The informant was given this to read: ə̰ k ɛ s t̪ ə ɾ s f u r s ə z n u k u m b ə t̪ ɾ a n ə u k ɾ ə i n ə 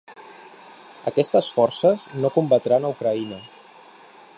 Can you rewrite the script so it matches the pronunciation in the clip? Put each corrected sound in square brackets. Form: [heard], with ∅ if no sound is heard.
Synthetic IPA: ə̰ k ɛ s t̪ ə [∅] s f [ɔ] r s ə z n [o] k u m b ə t̪ ɾ a n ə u k ɾ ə i n ə